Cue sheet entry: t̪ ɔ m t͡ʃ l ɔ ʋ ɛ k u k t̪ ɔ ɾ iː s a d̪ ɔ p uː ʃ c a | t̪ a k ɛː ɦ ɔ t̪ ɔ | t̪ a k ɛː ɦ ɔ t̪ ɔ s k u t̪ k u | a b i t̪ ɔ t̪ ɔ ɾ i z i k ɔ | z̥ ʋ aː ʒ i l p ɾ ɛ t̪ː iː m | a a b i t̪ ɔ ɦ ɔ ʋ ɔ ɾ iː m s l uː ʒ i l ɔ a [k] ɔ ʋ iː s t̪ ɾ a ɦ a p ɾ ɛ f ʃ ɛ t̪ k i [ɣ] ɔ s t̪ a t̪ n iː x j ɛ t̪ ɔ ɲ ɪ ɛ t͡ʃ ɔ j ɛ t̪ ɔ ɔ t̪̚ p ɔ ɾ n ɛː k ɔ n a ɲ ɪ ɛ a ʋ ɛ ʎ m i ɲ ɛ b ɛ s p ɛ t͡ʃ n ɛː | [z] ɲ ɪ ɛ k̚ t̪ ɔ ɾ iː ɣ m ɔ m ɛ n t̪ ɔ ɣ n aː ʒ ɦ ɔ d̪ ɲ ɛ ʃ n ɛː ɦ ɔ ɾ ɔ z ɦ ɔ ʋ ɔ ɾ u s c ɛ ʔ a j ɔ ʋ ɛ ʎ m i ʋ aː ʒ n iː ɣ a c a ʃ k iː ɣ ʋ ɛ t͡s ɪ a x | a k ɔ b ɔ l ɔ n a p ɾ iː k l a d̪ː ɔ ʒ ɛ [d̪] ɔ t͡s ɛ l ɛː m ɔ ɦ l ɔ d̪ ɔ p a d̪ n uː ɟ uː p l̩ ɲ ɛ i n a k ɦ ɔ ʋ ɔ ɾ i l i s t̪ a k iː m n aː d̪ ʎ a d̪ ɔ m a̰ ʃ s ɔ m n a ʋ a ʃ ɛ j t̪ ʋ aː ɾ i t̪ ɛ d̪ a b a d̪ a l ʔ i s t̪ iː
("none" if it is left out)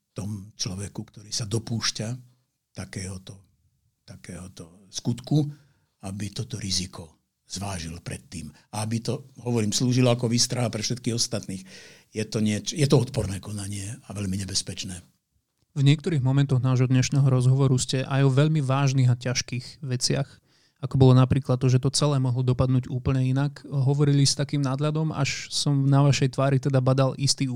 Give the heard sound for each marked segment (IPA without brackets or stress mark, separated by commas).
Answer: k, ɣ, v, t̪